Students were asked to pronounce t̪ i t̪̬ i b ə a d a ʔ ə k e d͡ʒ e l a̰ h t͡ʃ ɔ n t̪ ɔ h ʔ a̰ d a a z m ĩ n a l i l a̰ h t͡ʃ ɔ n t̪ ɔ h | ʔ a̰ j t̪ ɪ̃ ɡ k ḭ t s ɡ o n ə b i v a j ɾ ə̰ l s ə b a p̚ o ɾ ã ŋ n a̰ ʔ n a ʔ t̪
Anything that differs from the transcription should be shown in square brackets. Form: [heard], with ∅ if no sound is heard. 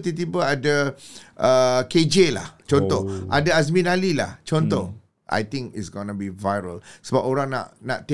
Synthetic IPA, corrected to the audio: t̪ i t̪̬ i b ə a d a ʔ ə k e d͡ʒ e l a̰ h t͡ʃ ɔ n t̪ ɔ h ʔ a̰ d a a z m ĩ n a l i l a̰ h t͡ʃ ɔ n t̪ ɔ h | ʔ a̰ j t̪ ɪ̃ [ŋ] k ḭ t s ɡ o n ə b i v a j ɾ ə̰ l s ə b a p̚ o ɾ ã ŋ n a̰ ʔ n a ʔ t̪